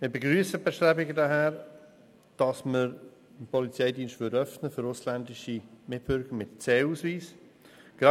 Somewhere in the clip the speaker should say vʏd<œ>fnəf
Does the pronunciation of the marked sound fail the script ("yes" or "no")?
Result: no